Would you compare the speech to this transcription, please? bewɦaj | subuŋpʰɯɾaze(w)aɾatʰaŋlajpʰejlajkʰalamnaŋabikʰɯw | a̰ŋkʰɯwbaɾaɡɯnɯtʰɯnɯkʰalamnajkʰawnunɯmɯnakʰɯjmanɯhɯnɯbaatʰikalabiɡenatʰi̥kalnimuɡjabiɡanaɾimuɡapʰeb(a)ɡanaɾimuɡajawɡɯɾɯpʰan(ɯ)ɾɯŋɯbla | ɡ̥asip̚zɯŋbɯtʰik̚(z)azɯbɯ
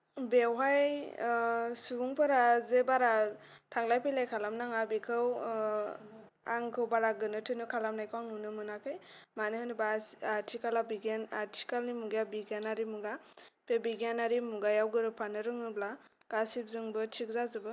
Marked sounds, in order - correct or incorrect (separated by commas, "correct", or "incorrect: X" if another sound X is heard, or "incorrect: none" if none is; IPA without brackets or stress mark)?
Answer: incorrect: b, incorrect: i, correct, correct